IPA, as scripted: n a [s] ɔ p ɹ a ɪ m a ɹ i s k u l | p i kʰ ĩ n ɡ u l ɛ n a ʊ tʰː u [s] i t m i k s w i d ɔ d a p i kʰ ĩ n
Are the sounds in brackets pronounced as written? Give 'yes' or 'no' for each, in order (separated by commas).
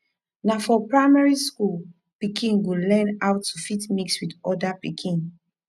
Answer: no, no